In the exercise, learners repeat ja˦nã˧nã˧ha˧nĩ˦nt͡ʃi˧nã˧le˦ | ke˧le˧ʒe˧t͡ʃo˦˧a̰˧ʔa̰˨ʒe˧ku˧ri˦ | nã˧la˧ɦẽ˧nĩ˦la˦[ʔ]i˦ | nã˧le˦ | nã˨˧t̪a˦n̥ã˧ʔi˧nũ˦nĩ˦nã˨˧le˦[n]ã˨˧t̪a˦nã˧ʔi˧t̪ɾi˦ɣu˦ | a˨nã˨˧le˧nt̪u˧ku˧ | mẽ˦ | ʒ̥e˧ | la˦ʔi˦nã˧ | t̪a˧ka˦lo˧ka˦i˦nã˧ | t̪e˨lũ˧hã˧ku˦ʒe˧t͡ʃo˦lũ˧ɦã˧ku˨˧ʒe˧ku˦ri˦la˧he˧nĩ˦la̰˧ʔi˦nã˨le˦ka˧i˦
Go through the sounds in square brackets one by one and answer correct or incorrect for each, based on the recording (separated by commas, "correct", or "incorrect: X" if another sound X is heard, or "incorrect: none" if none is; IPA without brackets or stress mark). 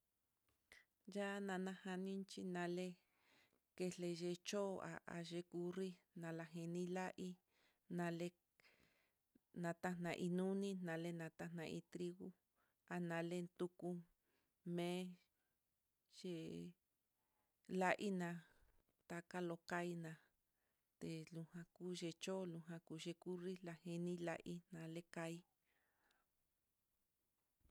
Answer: correct, correct